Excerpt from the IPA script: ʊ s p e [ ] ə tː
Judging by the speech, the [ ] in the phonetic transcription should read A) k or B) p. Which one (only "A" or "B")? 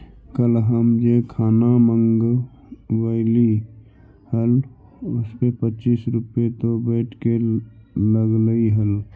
B